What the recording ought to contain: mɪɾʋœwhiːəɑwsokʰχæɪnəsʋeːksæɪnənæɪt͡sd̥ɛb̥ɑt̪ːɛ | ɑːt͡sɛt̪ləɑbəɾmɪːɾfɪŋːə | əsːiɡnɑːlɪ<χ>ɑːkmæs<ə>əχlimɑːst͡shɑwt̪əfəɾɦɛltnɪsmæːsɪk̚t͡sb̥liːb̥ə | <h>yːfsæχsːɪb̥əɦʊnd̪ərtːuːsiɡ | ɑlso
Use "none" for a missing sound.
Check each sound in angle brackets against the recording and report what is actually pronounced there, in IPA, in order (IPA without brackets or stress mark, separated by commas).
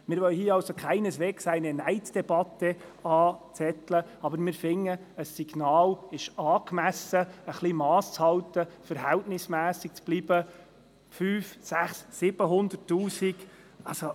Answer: ʃ, ə, f